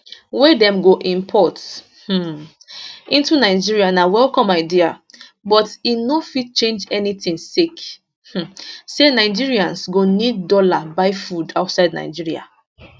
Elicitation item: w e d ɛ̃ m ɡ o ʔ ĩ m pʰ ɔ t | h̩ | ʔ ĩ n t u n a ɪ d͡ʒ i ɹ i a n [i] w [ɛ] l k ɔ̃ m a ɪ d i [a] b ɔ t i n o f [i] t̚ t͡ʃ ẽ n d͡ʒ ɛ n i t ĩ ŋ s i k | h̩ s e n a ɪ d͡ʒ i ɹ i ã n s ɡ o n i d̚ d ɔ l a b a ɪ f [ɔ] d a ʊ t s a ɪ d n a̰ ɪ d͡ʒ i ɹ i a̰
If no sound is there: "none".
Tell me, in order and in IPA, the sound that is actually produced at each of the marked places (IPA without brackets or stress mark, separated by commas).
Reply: a, ɛ, a, i, u